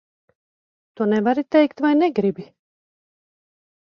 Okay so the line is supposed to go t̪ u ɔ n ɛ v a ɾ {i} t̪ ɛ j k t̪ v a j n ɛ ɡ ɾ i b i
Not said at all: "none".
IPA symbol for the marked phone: i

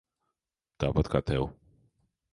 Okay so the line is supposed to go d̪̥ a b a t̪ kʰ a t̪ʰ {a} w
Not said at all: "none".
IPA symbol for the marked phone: ɛ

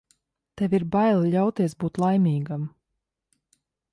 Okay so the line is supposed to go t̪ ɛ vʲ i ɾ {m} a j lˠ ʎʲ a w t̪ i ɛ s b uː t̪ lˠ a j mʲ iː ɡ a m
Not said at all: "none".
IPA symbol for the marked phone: b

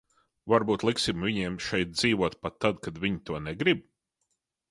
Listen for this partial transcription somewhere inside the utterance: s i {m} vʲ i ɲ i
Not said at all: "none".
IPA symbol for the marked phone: m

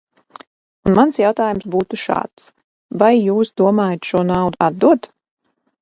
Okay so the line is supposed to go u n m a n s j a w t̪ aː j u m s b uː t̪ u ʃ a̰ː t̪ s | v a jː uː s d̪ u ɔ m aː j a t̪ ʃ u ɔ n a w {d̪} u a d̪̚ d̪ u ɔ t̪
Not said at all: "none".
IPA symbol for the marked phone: d̪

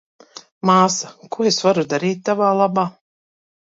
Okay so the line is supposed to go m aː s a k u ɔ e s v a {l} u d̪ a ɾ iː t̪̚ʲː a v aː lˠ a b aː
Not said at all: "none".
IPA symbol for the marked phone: ɾ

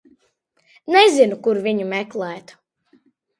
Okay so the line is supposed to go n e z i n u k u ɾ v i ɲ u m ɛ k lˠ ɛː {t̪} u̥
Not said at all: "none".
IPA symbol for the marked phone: t̪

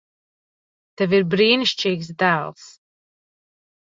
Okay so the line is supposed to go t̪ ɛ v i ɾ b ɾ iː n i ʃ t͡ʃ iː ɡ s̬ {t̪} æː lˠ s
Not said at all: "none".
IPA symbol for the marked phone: d̪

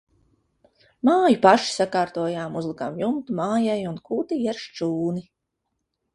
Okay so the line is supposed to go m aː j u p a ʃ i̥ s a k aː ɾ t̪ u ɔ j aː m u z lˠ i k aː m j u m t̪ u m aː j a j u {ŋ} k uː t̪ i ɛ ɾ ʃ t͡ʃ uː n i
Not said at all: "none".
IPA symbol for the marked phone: n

